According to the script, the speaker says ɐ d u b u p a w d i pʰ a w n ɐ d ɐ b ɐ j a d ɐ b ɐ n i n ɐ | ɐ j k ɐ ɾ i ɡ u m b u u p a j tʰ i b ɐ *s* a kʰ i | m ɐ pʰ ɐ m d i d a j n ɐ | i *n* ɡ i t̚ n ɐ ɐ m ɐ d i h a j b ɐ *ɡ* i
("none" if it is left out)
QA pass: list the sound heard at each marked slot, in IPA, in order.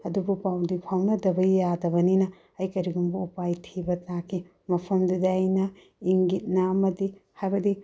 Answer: t, ŋ, d

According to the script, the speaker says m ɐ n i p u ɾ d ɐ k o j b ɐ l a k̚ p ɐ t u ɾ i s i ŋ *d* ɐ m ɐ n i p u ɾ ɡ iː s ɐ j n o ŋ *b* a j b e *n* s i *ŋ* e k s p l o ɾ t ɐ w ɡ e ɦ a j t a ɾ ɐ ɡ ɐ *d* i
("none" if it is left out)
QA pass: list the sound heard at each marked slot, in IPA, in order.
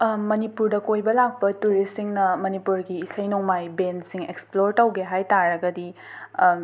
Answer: n, m, n, ŋ, d

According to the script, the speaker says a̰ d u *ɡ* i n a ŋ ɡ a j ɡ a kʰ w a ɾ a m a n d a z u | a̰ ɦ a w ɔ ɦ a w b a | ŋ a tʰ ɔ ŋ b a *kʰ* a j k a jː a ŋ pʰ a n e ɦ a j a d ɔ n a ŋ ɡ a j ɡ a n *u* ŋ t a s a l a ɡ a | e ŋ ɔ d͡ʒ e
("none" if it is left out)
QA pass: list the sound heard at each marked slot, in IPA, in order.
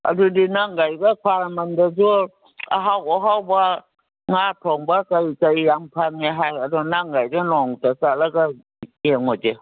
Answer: d, k, ɔ

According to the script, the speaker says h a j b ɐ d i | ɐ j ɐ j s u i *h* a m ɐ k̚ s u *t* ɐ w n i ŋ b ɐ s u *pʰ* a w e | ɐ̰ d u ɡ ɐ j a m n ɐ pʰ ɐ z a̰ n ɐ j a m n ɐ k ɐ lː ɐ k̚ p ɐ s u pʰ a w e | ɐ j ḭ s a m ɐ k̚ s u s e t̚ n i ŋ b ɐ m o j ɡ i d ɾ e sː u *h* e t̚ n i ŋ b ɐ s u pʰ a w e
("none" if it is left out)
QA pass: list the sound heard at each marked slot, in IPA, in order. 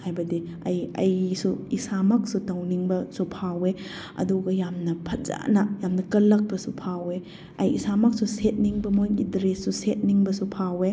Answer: s, t, pʰ, s

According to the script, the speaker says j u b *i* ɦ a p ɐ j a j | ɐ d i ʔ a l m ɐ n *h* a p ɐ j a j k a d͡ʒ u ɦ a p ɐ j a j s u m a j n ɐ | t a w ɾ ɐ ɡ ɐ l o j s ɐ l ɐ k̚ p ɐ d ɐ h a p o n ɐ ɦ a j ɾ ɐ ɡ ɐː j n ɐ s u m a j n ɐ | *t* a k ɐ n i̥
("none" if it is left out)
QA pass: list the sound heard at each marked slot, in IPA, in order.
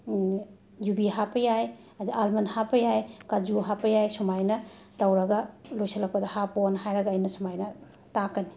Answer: i, h, t

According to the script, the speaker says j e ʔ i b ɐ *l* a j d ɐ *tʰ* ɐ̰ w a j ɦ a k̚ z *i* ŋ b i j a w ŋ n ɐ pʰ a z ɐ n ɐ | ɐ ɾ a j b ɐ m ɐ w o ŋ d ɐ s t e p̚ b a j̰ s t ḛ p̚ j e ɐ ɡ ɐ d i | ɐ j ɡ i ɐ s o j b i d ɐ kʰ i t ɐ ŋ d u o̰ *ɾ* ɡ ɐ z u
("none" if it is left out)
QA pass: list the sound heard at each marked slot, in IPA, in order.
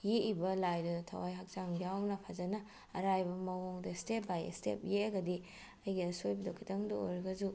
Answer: l, tʰ, a, ɾ

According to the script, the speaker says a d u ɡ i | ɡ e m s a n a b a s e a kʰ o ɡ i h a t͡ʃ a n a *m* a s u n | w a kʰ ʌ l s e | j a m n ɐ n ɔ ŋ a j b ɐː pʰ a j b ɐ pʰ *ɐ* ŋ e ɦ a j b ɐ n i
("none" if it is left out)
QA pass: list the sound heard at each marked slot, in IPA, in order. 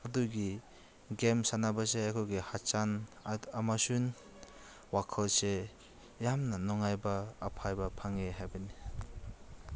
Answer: m, a

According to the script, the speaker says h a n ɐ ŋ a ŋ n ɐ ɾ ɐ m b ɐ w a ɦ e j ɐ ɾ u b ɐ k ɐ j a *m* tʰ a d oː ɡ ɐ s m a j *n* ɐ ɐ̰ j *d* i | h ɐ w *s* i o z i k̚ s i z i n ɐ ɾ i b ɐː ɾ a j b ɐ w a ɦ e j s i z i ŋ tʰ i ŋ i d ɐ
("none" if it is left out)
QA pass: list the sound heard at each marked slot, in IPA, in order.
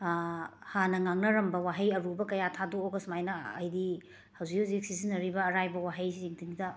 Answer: none, n, d, z

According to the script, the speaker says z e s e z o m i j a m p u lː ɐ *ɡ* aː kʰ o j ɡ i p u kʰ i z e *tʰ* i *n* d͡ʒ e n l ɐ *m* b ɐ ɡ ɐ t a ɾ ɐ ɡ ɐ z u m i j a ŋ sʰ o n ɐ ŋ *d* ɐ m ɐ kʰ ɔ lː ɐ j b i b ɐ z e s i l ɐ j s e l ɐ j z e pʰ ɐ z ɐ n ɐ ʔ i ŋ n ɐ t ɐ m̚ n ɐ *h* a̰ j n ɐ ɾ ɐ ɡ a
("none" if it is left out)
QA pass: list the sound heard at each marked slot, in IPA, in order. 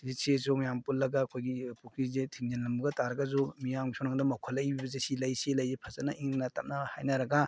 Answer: ɡ, tʰ, ŋ, m, d, h

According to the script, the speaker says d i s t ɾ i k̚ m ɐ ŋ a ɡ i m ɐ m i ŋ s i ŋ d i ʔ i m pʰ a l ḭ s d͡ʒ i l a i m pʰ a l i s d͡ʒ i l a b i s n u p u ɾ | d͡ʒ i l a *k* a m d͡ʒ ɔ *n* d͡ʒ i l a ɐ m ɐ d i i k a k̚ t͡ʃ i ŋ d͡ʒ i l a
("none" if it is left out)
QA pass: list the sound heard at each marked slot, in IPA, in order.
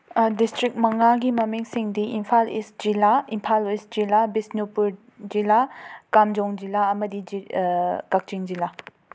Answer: k, ŋ

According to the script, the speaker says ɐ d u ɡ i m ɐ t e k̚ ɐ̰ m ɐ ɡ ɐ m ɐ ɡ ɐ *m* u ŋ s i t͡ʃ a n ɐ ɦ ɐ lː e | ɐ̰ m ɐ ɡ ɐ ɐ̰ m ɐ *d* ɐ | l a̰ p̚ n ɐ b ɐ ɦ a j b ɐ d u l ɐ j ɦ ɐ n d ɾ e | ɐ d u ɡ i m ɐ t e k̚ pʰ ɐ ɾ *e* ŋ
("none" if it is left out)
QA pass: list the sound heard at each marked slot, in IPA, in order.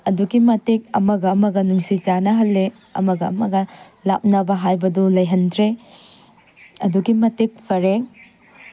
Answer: n, ɡ, e

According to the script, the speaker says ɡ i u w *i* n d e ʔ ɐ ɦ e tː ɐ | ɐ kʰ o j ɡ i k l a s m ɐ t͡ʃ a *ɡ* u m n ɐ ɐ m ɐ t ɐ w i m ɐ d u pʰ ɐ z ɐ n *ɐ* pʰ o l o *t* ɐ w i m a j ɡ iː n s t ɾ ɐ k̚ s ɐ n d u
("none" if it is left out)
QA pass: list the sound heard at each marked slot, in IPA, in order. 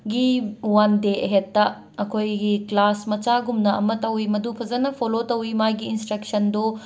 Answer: a, ɡ, ɐ, t

